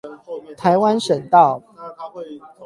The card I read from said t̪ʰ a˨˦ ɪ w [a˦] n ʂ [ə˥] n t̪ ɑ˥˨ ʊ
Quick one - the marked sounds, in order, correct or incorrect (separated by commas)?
correct, incorrect